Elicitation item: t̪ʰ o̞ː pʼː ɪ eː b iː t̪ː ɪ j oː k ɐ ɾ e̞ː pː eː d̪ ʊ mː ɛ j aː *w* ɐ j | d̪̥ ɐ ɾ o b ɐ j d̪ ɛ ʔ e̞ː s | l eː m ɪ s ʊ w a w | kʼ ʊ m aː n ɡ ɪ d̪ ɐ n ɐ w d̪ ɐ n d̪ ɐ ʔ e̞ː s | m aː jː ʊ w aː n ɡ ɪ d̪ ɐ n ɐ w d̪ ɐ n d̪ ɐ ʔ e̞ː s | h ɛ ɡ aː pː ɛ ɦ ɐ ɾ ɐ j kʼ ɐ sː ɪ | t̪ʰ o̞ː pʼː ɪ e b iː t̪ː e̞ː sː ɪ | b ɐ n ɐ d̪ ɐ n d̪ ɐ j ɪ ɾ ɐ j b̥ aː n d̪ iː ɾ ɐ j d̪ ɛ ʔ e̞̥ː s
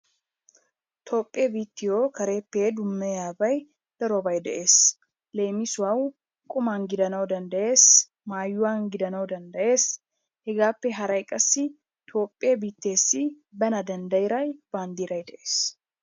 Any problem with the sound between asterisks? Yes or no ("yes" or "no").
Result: yes